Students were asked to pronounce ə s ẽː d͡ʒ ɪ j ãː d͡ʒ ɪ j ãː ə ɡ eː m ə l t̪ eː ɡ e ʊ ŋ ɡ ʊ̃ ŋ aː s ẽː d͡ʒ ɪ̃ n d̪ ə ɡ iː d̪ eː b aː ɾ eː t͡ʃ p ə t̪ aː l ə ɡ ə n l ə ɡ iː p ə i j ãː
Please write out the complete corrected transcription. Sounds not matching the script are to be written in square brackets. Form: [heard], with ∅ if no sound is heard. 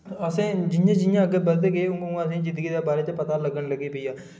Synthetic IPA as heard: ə s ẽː d͡ʒ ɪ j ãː d͡ʒ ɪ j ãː ə ɡ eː [b] ə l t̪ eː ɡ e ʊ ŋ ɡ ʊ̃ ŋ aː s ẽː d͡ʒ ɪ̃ n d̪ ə ɡ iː d̪ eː b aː ɾ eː t͡ʃ p ə t̪ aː l ə ɡ ə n l ə ɡ iː p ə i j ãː